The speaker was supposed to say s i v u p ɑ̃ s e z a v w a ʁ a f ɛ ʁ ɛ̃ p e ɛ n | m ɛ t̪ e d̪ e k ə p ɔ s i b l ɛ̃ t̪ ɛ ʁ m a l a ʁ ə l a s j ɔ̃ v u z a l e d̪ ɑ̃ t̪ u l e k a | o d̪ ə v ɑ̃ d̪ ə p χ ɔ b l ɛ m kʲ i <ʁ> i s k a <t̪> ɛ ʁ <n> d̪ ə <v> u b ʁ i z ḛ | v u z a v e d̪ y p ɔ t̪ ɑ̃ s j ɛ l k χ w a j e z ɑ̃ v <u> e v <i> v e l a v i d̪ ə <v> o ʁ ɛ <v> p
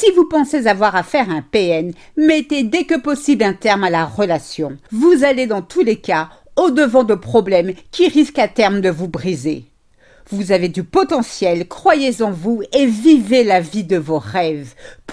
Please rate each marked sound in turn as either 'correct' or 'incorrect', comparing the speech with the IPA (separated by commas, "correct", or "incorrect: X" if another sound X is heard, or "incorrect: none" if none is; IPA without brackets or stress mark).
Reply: correct, correct, incorrect: m, correct, correct, correct, correct, correct